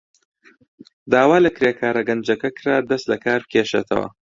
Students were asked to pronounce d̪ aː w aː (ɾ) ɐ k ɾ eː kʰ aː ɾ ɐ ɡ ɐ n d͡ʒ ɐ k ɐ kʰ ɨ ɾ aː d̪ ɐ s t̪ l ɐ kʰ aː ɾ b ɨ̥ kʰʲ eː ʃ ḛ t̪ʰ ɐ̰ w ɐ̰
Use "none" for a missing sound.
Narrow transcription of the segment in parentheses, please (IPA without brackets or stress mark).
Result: l